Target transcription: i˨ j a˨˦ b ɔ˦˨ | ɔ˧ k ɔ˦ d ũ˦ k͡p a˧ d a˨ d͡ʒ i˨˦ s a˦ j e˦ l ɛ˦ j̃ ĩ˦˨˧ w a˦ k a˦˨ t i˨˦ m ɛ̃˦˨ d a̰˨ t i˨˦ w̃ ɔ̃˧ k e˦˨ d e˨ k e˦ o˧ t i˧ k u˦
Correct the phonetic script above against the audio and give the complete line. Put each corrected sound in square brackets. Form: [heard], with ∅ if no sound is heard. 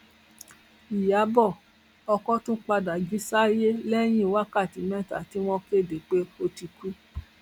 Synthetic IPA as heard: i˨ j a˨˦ b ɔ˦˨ | ɔ˧ k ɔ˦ [t] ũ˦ k͡p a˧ d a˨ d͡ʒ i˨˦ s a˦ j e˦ l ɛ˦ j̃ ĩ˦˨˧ w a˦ k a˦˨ t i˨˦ m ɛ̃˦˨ [t] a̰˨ t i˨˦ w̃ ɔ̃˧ k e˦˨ d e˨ [k͡p] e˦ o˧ t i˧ k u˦